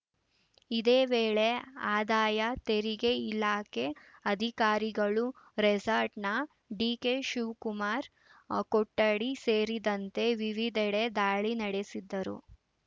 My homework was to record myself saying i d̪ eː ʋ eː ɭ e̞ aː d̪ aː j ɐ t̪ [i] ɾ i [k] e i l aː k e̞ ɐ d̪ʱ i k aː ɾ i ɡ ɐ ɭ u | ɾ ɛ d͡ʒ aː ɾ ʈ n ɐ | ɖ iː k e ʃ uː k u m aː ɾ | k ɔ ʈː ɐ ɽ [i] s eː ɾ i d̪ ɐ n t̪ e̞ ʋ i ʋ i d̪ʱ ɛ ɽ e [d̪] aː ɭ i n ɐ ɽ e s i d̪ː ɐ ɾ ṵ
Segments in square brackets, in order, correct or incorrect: incorrect: e, incorrect: ɡ, correct, correct

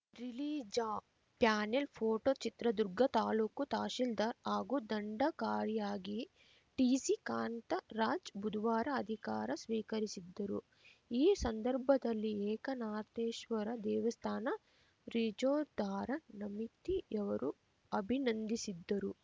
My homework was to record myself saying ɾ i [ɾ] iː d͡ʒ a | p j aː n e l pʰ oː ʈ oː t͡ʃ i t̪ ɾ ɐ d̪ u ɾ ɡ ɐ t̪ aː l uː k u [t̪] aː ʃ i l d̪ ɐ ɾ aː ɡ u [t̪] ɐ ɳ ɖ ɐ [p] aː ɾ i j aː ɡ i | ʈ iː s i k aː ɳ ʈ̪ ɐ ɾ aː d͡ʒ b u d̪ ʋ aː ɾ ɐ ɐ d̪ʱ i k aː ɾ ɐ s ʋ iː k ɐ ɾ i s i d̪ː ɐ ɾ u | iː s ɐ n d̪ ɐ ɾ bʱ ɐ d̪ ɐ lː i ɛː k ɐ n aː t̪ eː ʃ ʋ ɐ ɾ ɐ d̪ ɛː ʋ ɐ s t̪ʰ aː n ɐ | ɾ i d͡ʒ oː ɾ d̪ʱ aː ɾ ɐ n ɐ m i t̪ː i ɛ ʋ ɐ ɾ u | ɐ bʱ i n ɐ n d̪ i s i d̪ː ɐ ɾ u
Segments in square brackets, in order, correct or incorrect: incorrect: l, correct, incorrect: d̪, incorrect: k

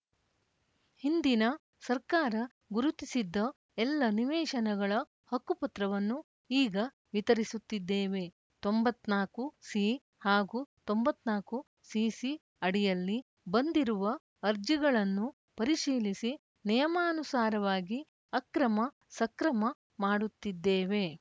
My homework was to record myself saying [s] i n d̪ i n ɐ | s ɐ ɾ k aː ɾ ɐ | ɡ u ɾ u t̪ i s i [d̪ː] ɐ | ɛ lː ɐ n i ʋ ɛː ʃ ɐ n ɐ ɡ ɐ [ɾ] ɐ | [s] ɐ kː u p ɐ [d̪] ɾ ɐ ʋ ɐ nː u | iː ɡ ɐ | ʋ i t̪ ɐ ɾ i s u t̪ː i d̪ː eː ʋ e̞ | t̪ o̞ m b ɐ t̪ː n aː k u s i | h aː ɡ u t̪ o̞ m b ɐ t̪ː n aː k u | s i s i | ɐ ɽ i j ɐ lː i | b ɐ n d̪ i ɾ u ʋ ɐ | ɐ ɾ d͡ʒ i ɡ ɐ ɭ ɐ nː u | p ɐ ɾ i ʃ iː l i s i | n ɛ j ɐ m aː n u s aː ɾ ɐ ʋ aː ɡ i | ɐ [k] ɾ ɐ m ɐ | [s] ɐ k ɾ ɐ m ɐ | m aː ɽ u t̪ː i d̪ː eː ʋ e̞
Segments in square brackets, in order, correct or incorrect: incorrect: h, correct, incorrect: ɭ, incorrect: h, incorrect: t̪, correct, correct

